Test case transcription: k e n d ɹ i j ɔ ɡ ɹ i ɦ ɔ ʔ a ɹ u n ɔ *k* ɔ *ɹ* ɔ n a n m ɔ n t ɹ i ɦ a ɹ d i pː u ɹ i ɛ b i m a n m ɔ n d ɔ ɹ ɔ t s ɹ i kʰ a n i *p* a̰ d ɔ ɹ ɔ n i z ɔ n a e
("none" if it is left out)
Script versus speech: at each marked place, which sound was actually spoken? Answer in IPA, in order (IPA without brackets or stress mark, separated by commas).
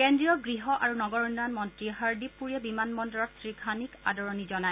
ɡ, ɹ, k